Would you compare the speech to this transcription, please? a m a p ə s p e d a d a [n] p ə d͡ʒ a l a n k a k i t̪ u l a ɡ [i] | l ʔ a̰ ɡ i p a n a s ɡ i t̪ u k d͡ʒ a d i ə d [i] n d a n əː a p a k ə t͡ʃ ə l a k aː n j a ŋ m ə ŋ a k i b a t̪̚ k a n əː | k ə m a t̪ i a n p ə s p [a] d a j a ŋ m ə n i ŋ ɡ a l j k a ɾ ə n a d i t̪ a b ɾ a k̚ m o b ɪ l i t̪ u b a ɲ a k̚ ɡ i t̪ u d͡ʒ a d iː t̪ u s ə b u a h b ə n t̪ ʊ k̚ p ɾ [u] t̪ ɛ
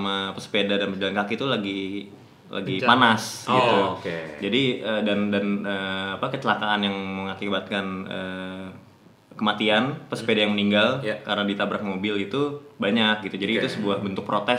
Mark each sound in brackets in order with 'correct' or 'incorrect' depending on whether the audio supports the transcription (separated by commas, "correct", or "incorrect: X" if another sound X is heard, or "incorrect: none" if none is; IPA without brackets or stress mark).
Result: correct, correct, incorrect: a, incorrect: e, incorrect: o